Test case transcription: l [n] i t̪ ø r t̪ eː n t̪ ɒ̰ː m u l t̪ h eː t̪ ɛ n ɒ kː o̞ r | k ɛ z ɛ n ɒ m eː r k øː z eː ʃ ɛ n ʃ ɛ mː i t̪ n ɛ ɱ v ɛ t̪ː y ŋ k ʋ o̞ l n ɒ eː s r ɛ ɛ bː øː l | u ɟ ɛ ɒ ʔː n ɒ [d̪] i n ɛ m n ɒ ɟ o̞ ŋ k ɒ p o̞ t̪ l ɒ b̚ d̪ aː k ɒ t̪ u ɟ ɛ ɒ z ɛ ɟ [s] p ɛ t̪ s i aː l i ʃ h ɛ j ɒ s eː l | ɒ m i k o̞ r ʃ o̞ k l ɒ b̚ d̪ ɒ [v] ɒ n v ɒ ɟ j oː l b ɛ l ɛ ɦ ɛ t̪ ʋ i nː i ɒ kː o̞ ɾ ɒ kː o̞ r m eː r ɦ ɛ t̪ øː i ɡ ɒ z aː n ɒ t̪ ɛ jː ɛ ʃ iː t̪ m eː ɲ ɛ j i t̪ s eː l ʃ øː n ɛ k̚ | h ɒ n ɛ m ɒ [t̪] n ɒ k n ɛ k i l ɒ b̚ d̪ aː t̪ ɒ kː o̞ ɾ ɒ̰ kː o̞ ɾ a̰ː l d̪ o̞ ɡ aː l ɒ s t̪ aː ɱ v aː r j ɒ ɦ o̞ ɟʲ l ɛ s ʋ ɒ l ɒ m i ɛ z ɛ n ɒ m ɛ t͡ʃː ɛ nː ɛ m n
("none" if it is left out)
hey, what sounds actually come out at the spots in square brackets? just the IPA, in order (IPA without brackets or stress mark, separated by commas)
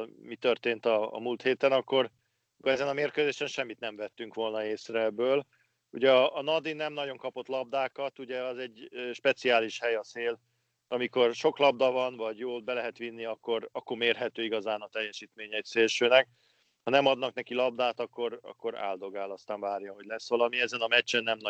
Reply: m, d̪, ʃ, v, d̪